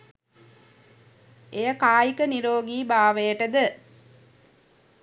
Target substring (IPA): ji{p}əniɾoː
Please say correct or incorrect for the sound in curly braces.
incorrect